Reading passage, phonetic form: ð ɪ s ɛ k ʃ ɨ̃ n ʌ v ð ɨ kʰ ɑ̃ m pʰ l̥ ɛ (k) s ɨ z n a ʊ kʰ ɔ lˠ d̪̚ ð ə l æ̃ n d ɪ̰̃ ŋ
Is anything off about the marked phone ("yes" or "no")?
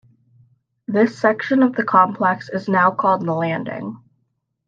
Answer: no